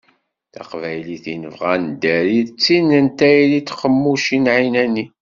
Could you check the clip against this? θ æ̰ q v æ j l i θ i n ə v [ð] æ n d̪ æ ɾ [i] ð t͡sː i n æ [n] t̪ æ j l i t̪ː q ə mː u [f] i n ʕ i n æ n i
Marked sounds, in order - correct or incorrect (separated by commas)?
incorrect, correct, correct, incorrect